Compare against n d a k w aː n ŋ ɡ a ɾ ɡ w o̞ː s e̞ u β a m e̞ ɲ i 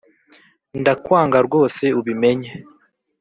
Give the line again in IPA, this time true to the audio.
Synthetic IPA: n d a k w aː ŋ ɡ a ɾ ɡ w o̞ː s e̞ u β i m e̞ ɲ e